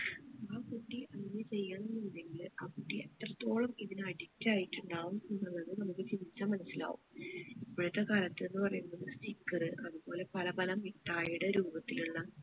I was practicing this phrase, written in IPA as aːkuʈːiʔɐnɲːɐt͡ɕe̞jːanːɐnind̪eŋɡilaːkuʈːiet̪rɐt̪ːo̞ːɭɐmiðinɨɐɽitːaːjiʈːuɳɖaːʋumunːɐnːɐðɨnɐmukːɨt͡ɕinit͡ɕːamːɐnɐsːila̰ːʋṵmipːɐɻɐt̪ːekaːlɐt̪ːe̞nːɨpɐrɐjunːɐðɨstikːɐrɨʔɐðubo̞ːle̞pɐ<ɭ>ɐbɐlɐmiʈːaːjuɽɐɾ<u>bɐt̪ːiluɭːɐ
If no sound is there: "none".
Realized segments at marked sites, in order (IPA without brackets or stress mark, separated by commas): l, uː